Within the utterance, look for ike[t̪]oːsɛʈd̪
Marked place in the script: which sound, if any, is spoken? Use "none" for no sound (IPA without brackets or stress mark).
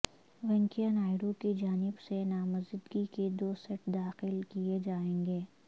d̪